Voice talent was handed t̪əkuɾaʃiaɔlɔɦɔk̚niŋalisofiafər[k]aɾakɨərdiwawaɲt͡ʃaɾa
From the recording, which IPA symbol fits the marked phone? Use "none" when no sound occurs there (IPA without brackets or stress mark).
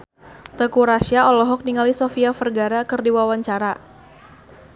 ɡ